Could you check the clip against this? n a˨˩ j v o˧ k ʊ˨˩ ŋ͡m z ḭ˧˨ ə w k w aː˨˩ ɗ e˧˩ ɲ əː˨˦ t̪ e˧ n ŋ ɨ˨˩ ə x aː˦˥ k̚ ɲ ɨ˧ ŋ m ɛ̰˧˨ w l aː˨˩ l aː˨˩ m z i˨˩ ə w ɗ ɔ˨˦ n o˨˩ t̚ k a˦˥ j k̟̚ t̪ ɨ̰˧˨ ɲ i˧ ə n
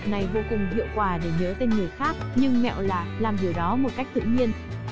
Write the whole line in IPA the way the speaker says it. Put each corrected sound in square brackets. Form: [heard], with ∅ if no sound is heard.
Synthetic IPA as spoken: n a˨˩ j v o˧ k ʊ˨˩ ŋ͡m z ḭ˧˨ ə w k w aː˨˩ ɗ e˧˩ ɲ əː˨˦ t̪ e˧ n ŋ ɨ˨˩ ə x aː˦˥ k̚ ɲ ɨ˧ ŋ m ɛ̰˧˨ w l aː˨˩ l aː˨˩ m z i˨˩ ə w ɗ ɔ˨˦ [m] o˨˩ t̚ k a˦˥ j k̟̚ t̪ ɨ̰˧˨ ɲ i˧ ə n